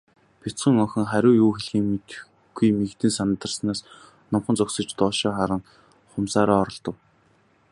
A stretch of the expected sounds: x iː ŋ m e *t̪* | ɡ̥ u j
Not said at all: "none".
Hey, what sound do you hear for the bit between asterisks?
t̪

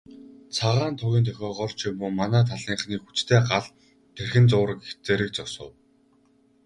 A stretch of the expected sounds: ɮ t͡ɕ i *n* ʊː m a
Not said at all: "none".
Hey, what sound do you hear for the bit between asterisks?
m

